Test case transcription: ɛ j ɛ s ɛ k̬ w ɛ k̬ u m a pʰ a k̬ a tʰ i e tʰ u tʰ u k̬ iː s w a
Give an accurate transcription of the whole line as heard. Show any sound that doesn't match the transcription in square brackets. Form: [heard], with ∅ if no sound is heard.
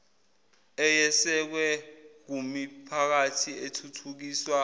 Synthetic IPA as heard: ɛ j ɛ s ɛ k̬ w ɛ k̬ u m [i] pʰ a k̬ a tʰ i e tʰ u tʰ u k̬ iː s w a

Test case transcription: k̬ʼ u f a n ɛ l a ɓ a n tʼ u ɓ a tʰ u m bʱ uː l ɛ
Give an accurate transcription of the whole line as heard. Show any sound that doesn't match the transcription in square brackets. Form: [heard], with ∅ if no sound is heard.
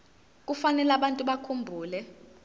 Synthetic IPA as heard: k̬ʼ u f a n ɛ l a ɓ a n tʼ u ɓ a [kʰ] u m bʱ uː l ɛ

